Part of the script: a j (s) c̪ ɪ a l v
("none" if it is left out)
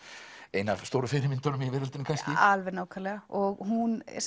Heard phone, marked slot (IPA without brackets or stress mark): s